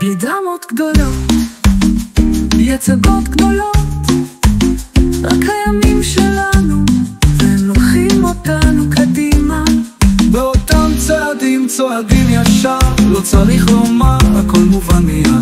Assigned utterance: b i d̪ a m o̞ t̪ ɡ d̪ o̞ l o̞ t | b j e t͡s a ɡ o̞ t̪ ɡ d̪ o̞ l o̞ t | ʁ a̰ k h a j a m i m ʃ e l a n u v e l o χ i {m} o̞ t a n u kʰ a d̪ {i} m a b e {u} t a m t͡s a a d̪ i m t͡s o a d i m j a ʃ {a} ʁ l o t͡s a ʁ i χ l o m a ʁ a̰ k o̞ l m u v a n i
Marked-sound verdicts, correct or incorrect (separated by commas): correct, correct, incorrect, correct